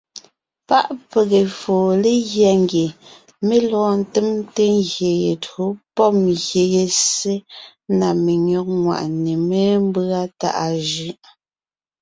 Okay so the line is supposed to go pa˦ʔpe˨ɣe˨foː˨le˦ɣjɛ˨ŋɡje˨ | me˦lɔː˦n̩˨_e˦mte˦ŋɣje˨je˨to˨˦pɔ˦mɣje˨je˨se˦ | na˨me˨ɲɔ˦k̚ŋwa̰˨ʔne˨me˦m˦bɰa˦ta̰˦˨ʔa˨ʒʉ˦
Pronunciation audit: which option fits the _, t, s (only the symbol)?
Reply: t